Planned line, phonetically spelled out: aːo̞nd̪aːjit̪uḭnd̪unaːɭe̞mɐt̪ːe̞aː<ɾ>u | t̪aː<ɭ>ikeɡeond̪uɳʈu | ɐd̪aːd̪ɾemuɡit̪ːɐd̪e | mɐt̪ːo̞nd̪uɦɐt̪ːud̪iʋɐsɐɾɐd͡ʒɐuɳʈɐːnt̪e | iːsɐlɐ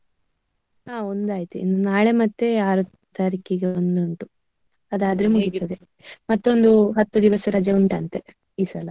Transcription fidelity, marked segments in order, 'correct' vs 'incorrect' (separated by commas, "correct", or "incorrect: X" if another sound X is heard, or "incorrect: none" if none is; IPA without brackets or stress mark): correct, incorrect: ɾ